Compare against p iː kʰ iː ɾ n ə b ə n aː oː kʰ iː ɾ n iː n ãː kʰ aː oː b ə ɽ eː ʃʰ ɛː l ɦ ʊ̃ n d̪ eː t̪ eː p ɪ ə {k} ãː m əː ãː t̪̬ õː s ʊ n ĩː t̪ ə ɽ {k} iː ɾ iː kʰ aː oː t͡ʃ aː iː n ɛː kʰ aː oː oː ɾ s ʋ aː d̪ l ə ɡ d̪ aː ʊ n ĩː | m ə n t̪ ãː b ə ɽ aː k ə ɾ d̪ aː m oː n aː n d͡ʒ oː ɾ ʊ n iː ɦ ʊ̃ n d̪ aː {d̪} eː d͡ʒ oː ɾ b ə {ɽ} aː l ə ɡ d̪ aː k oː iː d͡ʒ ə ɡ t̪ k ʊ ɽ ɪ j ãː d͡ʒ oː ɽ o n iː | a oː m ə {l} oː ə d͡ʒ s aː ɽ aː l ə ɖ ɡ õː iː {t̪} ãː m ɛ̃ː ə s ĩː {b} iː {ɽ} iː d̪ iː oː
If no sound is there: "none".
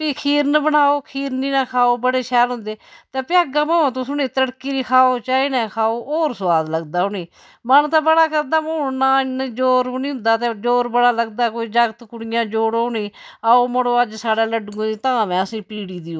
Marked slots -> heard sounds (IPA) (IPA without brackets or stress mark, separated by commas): ɡ, k, t̪, ɽ, ɽ, t̪, p, ɽ